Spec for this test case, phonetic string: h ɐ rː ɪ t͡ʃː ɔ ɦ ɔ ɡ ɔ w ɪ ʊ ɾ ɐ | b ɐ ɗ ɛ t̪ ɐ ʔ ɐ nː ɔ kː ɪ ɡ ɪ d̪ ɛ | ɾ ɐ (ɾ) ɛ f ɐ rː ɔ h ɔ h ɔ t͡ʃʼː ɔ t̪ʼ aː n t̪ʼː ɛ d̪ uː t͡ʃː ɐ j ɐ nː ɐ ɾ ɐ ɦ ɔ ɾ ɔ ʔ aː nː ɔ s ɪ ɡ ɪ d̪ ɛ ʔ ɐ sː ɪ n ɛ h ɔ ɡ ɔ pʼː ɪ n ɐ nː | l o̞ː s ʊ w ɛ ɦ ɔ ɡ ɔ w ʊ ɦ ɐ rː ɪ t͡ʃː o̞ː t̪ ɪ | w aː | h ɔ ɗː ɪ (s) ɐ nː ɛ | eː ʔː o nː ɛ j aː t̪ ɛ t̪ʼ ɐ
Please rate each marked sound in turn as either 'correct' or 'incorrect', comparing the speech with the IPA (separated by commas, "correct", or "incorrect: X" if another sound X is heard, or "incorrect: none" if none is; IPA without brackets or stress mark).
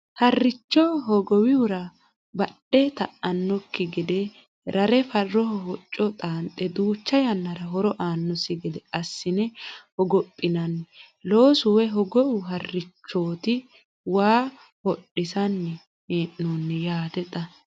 correct, correct